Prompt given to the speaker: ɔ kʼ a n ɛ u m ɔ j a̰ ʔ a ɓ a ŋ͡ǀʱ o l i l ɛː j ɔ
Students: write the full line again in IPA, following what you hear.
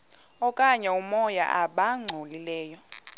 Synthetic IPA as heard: ɔ kʼ a ɲ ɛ u m ɔ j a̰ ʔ a ɓ a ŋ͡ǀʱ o l i l ɛː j ɔ